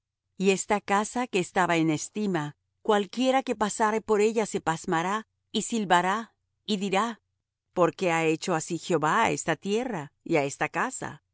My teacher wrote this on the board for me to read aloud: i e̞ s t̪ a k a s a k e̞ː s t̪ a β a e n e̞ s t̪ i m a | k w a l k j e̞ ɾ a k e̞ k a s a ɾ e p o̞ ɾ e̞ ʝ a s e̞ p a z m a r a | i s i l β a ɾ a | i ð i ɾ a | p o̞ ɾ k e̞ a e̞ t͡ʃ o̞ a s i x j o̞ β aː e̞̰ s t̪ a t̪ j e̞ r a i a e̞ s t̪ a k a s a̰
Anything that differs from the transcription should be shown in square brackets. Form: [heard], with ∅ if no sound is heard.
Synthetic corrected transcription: i e̞ s t̪ a k a s a k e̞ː s t̪ a β a e n e̞ s t̪ i m a | k w a l k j e̞ ɾ a k e̞ [p] a s a ɾ e p o̞ ɾ e̞ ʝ a s e̞ p a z m a [ɾ] a | i s i l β a ɾ a | i ð i ɾ a | p o̞ ɾ k e̞ a e̞ t͡ʃ o̞ a s i x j o̞ β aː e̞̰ s t̪ a t̪ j e̞ r a i a e̞ s t̪ a k a s a̰